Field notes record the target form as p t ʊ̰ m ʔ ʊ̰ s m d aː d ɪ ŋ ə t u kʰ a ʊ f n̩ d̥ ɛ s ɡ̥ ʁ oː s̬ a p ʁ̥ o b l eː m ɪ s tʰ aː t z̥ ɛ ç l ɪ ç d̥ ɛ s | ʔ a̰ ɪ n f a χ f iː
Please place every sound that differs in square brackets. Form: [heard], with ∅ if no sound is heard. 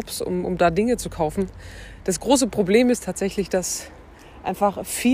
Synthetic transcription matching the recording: p [s] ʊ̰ m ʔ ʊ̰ [∅] m d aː d ɪ ŋ ə [t͡s] u kʰ a ʊ f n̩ d̥ [a] s ɡ̥ ʁ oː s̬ [ə] p ʁ̥ o b l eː m ɪ s tʰ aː t z̥ ɛ ç l ɪ ç d̥ [a] s | ʔ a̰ ɪ n f a χ f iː